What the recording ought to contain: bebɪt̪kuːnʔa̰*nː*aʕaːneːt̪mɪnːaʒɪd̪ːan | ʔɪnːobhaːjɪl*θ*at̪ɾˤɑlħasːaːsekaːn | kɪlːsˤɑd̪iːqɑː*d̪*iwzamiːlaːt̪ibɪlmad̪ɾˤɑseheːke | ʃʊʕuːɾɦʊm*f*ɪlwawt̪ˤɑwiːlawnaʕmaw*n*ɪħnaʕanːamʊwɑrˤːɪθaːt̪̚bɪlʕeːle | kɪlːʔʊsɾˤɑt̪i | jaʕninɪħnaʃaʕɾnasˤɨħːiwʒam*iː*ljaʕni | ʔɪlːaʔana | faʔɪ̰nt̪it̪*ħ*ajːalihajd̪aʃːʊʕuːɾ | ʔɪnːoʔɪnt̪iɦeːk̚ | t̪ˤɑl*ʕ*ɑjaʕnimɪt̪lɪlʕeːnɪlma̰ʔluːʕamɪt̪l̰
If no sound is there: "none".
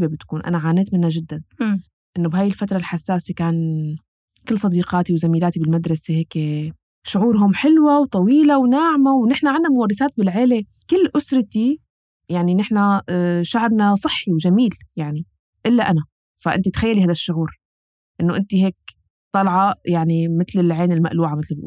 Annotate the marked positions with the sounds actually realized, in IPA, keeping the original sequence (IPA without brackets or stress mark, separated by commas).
n, f, t̪, ħ, n, iː, x, ʕ